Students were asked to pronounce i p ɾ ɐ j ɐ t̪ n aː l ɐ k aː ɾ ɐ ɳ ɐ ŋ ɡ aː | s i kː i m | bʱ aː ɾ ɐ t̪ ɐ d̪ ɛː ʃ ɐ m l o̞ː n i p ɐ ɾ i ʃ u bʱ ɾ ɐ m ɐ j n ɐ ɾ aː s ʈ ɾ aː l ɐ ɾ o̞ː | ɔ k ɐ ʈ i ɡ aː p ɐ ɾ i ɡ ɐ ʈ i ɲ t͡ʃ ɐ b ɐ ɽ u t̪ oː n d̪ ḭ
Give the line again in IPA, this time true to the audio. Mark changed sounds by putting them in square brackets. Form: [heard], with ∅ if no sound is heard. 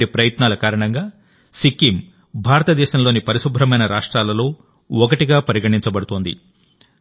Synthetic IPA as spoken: i p ɾ ɐ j ɐ t̪ n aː l ɐ k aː ɾ ɐ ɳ ɐ ŋ ɡ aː | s i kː i m | bʱ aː ɾ ɐ t̪ ɐ d̪ ɛː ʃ ɐ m l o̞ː n i p ɐ ɾ i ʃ u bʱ ɾ ɐ m ɐ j n ɐ ɾ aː [ʂ] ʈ ɾ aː l ɐ [l] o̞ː | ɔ k ɐ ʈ i ɡ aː p ɐ ɾ i ɡ ɐ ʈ i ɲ t͡ʃ ɐ b ɐ ɽ u t̪ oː n d̪ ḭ

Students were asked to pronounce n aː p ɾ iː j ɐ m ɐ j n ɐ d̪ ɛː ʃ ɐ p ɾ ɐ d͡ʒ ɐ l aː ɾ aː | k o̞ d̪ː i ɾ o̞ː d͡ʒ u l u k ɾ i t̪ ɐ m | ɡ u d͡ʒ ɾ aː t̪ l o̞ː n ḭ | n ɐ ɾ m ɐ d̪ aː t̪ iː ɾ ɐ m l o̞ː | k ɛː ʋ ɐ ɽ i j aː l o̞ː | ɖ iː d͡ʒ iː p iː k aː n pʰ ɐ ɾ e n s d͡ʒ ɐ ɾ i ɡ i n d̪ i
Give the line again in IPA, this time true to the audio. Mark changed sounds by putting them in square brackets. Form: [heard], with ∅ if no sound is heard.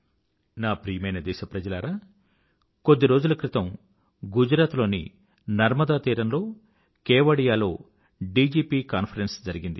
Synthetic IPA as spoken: n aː p ɾ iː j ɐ m ɐ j n ɐ d̪ ɛː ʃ ɐ p ɾ ɐ d͡ʒ ɐ l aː ɾ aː | k o̞ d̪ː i ɾ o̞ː d͡ʒ u l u k ɾ i t̪ ɐ m | ɡ u d͡ʒ ɾ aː t̪ l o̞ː n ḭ | n ɐ ɾ m ɐ d̪ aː t̪ iː ɾ ɐ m l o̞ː | k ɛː ʋ ɐ ɽ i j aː l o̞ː | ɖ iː d͡ʒ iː p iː k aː n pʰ ɐ ɾ e n s d͡ʒ ɐ ɾ i ɡ i n d̪ i

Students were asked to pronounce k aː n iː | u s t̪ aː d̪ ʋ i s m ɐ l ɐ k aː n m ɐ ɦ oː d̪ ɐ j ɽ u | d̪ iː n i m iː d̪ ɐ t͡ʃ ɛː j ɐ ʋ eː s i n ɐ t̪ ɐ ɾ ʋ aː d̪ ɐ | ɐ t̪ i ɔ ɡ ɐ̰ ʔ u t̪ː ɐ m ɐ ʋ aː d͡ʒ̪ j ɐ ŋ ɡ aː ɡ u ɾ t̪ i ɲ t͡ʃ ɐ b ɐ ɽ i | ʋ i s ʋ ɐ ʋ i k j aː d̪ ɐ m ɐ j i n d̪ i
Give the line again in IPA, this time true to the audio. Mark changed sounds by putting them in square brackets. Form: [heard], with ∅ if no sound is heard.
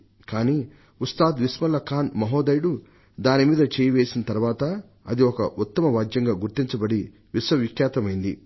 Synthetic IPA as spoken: k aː n iː | u s t̪ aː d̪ ʋ i s m ɐ l ɐ k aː n m ɐ ɦ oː d̪ ɐ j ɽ u | d̪ [aː] n i m iː d̪ ɐ t͡ʃ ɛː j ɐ ʋ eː s i n ɐ t̪ ɐ ɾ ʋ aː [t̪] ɐ | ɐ [d̪] i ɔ [k] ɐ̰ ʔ u t̪ː ɐ m ɐ ʋ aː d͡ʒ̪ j ɐ ŋ ɡ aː ɡ u ɾ t̪ i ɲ t͡ʃ ɐ b ɐ ɽ i | ʋ i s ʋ ɐ ʋ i k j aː [t̪] ɐ m ɐ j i n d̪ i

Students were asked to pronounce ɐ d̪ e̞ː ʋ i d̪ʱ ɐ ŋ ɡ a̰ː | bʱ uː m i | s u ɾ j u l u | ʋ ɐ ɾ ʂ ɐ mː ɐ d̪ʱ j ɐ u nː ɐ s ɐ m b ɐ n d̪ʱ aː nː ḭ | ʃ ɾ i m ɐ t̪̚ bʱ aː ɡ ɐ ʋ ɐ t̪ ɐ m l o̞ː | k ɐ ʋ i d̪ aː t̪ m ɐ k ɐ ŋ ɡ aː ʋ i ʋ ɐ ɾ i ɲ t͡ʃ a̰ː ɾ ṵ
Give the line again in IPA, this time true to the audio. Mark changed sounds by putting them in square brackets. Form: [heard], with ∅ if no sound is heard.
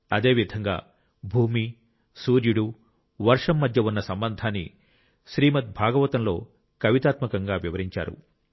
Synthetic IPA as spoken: ɐ d̪ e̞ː ʋ i d̪ʱ ɐ ŋ ɡ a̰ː | bʱ uː m i | s [uː] ɾ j u [ɽ] u | ʋ ɐ ɾ ʂ ɐ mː ɐ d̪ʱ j ɐ u nː ɐ s ɐ m b ɐ n d̪ʱ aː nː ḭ | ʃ ɾ [iː] m ɐ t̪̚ bʱ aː ɡ ɐ ʋ ɐ t̪ ɐ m l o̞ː | k ɐ ʋ i [t̪] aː t̪ m ɐ k ɐ ŋ ɡ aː ʋ i ʋ ɐ ɾ i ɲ t͡ʃ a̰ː ɾ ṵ

